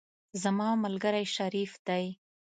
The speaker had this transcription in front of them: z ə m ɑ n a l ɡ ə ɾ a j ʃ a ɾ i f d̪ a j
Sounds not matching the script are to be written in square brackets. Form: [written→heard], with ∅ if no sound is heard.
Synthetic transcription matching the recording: z [ə→a] m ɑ [n→m] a l ɡ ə ɾ a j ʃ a ɾ i f d̪ a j